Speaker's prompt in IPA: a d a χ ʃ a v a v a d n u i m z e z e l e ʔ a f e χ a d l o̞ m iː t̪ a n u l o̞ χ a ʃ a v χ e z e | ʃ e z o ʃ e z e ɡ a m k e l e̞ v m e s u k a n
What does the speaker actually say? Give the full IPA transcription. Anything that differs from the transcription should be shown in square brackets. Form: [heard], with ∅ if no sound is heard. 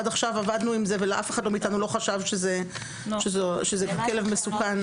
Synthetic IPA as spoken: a d a χ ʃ a v a v a d n u i m z e [v] e l e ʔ a f e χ a d l o̞ m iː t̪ a n u l o̞ χ a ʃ a v [ʃ] e z e | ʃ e z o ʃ e z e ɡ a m k e l e̞ v m e s u k a n